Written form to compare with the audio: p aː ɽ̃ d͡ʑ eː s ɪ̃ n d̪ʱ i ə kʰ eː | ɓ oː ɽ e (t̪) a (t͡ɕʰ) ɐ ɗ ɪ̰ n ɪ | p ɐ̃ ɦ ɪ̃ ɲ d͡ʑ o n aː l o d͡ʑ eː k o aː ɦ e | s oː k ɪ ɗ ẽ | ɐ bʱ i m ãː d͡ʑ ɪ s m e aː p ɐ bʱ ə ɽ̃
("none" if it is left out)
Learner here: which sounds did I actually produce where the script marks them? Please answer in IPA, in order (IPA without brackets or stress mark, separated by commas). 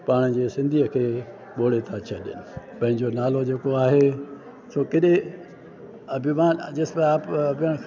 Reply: t̪ʰ, t͡ɕʰ